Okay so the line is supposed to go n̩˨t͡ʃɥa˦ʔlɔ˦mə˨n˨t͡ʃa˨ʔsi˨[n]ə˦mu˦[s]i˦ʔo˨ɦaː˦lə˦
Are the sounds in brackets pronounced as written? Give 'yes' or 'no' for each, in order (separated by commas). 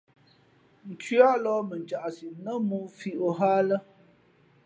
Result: yes, no